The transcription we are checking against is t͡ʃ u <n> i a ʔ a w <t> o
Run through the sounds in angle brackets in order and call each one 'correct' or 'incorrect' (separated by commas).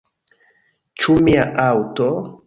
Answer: incorrect, correct